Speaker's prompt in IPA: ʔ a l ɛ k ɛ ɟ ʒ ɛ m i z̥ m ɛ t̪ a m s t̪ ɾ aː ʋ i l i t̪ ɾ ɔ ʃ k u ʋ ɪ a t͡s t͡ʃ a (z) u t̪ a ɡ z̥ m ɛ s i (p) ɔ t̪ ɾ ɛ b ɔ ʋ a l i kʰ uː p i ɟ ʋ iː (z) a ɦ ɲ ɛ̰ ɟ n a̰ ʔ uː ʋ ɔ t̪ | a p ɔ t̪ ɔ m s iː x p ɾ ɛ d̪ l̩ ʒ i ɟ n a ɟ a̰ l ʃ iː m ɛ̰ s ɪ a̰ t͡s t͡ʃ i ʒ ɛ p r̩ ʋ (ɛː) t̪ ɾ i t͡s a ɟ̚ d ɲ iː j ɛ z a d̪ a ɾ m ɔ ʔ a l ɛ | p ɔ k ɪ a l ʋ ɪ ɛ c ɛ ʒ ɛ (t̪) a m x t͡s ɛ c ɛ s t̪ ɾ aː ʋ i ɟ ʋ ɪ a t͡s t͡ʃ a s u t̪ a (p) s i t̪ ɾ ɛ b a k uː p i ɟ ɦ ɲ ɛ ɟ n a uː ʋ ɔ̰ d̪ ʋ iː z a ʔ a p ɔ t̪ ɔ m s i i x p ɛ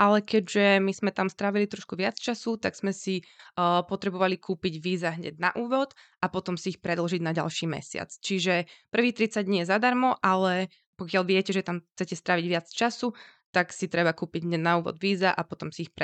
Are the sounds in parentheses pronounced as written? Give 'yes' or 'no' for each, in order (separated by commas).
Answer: no, yes, yes, no, yes, no